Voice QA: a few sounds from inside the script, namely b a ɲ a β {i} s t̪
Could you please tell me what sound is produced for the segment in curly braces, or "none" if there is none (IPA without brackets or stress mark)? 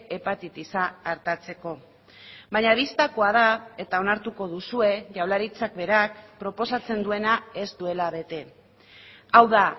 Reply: i